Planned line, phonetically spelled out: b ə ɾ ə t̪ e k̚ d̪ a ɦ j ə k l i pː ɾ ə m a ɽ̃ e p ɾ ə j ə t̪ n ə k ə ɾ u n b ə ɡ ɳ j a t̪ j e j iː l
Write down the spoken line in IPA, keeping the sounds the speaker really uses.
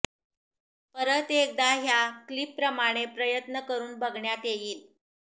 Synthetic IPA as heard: p ə ɾ ə t̪ e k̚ d̪ a ɦ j a k l i pː ɾ ə m a ɽ̃ e p ɾ ə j ə t̪ n ə k ə ɾ uː n b ə ɡ ɳ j a t̪ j e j iː l